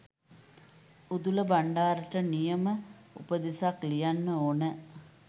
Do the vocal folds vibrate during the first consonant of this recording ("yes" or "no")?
yes